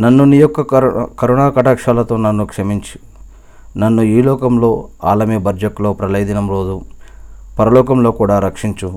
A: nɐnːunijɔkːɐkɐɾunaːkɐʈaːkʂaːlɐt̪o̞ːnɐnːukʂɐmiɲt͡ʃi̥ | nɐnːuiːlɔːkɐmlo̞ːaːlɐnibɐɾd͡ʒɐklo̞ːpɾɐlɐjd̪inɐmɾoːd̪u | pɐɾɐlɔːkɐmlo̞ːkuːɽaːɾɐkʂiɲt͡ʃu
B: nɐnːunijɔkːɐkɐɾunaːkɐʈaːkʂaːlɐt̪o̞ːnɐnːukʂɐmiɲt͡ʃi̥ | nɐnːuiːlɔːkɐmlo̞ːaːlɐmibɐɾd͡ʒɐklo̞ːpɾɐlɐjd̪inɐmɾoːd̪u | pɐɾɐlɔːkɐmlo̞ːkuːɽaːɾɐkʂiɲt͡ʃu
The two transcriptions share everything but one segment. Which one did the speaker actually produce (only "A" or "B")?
B